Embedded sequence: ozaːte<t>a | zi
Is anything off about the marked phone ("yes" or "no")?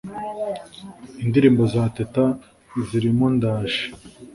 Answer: no